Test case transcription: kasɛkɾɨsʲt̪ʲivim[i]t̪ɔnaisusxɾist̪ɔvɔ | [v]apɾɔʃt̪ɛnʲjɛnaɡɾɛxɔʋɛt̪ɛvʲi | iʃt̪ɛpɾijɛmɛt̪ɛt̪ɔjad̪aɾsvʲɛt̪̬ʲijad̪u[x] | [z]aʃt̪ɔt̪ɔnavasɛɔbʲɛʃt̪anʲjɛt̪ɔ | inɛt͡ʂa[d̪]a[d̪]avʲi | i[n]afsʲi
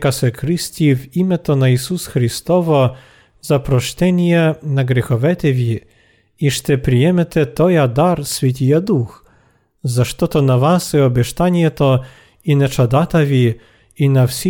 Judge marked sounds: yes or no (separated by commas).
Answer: no, no, yes, yes, yes, no, yes